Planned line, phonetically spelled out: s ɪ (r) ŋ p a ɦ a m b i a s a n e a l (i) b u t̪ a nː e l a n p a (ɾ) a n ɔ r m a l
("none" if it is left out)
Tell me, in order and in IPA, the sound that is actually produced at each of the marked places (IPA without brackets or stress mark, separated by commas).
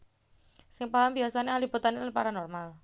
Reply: none, i, ɾ